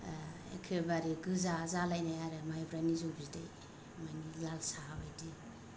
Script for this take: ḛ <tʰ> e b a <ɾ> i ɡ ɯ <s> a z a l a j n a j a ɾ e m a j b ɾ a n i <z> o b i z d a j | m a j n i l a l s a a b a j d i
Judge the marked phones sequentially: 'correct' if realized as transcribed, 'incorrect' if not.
incorrect: kʰ, correct, incorrect: z, correct

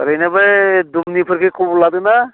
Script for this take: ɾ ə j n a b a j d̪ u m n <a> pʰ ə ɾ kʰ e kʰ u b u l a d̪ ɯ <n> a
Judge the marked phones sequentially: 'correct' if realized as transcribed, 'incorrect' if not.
incorrect: i, correct

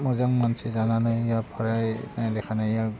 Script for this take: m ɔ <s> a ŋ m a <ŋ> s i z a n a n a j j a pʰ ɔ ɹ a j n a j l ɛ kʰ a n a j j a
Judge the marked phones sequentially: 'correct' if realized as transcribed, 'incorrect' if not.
incorrect: z, incorrect: n

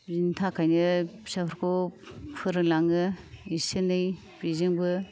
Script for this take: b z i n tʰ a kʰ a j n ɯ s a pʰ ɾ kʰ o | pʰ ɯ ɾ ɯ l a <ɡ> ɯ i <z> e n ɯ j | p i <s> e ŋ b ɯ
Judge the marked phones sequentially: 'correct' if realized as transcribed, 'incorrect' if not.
incorrect: ŋ, incorrect: s, incorrect: z

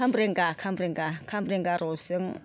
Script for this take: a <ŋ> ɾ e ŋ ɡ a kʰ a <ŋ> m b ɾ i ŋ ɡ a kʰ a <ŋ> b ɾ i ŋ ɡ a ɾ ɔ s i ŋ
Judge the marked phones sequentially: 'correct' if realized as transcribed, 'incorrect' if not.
incorrect: m, incorrect: none, incorrect: m

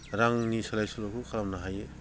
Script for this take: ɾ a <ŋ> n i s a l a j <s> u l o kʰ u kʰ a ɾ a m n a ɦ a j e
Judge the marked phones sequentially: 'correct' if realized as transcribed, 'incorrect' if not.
correct, correct

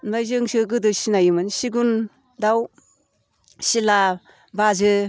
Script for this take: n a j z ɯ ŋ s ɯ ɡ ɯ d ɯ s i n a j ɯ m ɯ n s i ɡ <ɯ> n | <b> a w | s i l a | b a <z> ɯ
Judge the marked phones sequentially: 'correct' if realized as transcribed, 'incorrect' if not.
incorrect: u, incorrect: d, correct

